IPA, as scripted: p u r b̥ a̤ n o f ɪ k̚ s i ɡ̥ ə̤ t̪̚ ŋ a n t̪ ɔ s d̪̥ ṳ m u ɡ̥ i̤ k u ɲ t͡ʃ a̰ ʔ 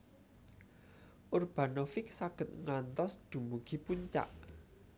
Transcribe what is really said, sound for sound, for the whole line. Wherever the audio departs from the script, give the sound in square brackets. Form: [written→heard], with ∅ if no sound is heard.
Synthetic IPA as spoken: [p→ʔ] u r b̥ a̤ n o f ɪ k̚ s [i→a] ɡ̥ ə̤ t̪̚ ŋ a n t̪ ɔ s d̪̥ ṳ m u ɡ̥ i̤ [k→p] u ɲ t͡ʃ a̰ ʔ